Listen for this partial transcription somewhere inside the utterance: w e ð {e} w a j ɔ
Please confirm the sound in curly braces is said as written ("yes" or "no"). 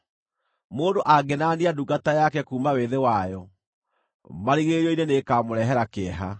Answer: yes